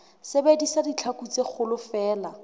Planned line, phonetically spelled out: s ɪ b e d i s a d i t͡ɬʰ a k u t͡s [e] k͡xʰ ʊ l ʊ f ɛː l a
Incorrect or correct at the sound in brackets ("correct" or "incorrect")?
correct